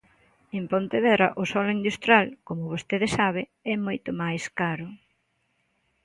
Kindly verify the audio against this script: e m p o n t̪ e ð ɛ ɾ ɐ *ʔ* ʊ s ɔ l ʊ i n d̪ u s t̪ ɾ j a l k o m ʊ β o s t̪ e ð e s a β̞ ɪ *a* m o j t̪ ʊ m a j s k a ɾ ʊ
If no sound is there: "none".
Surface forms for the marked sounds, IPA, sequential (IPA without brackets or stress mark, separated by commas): ʔ, ɛ